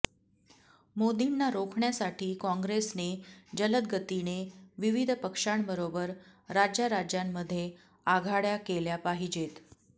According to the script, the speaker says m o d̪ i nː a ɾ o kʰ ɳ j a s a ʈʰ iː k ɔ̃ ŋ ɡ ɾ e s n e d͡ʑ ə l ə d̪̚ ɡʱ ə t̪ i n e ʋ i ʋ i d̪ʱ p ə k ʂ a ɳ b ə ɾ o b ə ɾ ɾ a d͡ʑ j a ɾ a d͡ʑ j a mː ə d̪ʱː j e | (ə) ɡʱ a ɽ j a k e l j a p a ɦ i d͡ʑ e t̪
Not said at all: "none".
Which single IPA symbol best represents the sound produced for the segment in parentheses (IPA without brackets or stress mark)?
a